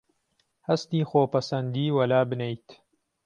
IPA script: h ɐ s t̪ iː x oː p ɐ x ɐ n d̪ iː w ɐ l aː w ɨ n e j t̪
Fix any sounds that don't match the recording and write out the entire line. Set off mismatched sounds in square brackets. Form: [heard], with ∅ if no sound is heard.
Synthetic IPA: h ɐ s t̪ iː x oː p ɐ [s] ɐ n d̪ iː w ɐ l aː [b] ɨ n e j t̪